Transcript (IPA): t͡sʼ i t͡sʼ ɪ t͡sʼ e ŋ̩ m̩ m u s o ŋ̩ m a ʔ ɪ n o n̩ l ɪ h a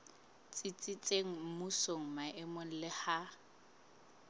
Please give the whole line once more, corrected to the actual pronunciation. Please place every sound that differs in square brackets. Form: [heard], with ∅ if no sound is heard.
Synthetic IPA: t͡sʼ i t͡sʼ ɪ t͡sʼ e ŋ̩ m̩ m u s o ŋ̩ m a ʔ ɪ [m] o n̩ l ɪ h a